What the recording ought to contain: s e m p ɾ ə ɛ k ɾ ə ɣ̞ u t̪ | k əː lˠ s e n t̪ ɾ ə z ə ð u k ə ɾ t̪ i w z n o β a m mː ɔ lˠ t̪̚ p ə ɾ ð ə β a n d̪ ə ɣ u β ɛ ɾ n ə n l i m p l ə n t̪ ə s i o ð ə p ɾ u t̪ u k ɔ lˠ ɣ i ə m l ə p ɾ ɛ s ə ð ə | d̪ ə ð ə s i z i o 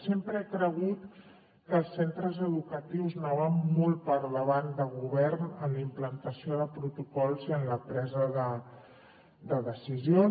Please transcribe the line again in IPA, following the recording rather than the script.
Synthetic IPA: s e m p ɾ ə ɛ k ɾ ə ɣ̞ u t̪ | k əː lˠ s e n t̪ ɾ ə z ə ð u k ə t̪ i w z n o β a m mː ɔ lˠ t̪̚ p ə ɾ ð ə β a n d̪ ə ɣ u β ɛ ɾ n ə n l i m p l ə n t̪ ə s i o ð ə p ɾ u t̪ u k ɔ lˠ z i ə n l ə p ɾ ɛ z ə ð ə | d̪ ə ð ə s i z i o